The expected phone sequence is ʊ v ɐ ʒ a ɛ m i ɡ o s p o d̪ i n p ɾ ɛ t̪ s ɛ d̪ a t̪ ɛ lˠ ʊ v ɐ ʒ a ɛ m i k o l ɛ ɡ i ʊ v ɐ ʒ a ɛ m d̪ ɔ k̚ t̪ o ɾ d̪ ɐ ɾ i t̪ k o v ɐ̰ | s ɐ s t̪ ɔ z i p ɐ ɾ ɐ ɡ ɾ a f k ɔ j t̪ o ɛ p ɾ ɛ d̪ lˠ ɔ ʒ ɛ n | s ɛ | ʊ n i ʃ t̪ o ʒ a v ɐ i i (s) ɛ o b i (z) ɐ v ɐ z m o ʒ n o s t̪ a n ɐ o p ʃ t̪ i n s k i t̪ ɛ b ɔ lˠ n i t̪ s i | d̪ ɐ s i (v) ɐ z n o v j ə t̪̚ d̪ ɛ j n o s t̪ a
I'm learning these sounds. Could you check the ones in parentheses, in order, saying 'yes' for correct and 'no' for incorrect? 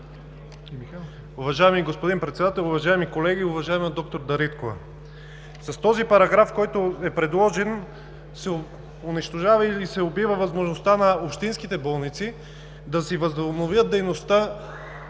yes, no, yes

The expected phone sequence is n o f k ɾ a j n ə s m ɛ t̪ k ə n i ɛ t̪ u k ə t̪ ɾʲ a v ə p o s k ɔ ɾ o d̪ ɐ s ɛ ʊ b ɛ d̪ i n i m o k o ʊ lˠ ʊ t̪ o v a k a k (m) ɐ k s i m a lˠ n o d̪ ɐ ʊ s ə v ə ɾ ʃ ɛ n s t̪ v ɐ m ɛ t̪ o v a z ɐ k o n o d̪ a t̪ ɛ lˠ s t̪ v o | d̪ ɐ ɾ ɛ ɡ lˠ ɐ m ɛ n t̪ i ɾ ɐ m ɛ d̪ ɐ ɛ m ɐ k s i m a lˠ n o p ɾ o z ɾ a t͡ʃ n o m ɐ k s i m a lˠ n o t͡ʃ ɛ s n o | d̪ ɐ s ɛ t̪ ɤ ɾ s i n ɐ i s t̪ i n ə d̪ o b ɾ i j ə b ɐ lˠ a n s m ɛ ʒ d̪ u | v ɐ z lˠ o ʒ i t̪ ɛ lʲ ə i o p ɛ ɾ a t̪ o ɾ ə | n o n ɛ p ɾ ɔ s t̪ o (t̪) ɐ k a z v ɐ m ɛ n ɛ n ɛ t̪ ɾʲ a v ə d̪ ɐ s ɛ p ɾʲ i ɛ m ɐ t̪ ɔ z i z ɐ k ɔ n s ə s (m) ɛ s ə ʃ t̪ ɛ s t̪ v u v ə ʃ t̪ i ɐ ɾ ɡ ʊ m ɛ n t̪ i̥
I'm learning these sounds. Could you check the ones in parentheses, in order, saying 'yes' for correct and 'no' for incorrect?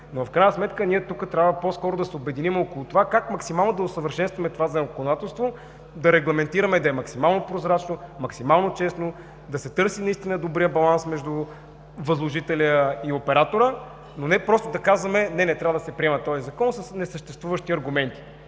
yes, no, no

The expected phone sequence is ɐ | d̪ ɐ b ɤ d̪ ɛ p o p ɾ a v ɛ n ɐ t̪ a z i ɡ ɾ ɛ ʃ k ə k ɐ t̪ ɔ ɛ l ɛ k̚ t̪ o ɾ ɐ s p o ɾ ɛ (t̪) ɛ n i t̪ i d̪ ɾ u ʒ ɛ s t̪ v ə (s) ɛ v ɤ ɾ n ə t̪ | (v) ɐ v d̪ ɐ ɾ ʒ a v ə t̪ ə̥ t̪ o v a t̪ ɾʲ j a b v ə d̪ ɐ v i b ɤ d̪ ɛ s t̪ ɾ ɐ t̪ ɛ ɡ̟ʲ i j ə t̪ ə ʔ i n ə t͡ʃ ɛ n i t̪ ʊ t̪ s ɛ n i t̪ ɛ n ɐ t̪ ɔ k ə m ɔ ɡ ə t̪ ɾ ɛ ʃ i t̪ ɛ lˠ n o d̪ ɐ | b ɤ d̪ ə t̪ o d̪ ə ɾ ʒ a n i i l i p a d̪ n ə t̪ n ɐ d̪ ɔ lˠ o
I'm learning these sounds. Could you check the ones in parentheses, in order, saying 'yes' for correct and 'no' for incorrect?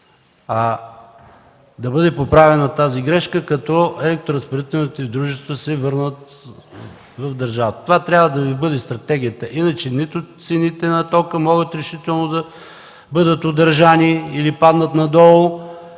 yes, yes, yes

